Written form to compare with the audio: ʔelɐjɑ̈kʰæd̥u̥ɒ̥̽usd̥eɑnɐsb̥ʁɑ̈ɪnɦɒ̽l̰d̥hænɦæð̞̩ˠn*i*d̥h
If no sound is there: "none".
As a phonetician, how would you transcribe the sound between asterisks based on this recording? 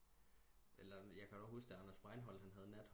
æ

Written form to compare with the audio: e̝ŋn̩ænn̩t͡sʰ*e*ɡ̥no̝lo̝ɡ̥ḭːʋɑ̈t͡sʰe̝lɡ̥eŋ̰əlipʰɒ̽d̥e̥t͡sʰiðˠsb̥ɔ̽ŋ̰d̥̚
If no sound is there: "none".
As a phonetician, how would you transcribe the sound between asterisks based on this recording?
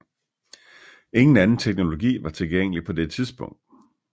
e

